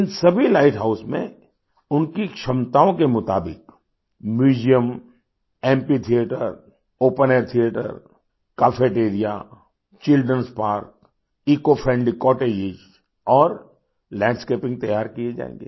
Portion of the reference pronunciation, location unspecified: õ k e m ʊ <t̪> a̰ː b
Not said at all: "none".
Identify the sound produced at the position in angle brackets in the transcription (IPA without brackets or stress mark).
t̪